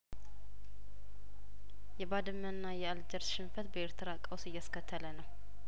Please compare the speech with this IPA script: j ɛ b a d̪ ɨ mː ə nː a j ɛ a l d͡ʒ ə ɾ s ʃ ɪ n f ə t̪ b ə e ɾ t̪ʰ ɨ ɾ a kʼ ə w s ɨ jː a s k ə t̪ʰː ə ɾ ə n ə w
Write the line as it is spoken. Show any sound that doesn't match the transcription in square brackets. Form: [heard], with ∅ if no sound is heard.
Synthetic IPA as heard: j ɛ b a d̪ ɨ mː ə nː a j ɛ a l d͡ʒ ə ɾ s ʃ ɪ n f ə t̪ b ə e ɾ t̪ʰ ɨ ɾ a kʼ ə w s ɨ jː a s k ə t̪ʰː ə [l] ə n ə w